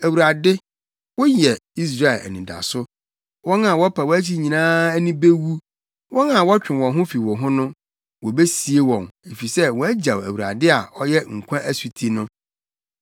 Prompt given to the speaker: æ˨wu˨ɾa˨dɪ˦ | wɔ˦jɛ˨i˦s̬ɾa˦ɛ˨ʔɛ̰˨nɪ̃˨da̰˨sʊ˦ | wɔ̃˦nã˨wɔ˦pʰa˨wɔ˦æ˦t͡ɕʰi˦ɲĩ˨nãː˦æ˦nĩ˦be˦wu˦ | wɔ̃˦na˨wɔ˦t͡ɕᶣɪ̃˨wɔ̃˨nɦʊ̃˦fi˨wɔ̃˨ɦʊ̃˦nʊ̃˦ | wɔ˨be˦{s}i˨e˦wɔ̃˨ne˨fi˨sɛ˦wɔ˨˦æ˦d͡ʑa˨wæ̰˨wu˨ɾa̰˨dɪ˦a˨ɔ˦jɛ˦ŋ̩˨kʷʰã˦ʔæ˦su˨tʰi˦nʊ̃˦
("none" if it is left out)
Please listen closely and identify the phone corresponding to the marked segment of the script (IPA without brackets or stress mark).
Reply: s